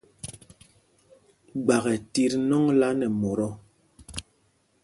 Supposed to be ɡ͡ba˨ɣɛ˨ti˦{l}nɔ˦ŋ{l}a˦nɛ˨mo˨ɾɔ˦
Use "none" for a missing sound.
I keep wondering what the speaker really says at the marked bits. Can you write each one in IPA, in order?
ɾ, l

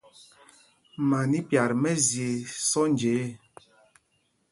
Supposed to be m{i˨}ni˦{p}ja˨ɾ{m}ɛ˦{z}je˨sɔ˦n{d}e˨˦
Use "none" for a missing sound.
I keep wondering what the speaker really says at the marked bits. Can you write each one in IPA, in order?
a˨, p, m, z, d͡ʒ

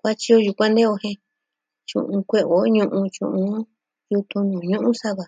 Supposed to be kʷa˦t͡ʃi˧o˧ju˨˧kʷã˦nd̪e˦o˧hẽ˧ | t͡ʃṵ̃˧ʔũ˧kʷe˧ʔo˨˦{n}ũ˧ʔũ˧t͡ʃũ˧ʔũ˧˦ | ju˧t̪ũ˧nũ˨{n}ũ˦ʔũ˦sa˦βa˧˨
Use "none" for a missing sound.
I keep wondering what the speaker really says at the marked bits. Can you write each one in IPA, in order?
ɲ, ɲ

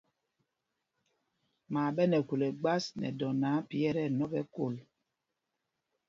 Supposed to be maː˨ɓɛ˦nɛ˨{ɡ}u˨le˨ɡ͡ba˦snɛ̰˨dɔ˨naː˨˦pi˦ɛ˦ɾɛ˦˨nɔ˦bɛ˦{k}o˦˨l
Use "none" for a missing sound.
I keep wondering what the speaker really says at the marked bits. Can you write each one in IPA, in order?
k, k

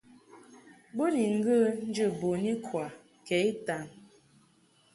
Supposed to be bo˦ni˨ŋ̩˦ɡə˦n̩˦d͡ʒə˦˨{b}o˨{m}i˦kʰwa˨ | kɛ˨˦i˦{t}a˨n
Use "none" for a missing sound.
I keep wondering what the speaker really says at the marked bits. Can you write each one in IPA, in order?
b, n, t

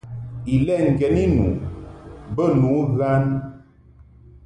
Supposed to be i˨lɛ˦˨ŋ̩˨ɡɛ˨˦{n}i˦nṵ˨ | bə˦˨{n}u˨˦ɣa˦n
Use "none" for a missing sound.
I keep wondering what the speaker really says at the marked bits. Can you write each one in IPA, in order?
n, n

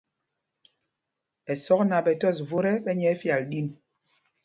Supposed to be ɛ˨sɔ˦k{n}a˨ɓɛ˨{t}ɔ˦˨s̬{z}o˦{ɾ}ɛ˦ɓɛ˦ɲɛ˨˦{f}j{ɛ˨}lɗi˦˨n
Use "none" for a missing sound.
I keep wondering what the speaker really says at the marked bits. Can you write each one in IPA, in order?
n, t, v, ɾ, f, a˨

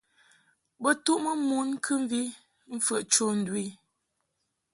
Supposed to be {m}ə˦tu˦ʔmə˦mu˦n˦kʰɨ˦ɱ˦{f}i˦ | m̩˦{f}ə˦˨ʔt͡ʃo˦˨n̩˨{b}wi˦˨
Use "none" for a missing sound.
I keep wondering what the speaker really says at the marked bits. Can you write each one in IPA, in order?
b, v, f, d

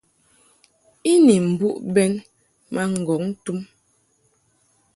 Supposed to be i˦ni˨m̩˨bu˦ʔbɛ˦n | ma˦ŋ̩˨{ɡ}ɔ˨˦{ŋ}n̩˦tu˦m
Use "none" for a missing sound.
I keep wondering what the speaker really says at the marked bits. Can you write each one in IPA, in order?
ɡ, ŋ

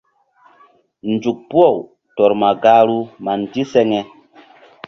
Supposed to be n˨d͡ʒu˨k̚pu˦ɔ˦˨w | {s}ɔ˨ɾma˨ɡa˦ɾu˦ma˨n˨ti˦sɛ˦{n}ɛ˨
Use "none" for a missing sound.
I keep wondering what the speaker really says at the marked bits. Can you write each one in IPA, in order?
t, ŋ

